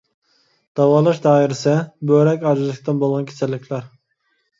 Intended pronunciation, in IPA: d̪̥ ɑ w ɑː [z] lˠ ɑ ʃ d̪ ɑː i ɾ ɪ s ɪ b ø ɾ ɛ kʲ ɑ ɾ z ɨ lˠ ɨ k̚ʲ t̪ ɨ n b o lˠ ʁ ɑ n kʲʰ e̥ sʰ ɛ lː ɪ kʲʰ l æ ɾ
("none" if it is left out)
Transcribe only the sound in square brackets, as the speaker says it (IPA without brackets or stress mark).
none